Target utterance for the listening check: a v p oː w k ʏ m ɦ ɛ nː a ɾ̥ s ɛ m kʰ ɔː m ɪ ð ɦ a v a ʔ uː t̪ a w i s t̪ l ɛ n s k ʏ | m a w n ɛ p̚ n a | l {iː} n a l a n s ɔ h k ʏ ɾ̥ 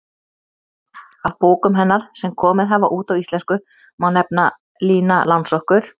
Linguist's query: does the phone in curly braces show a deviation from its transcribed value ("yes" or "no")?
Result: no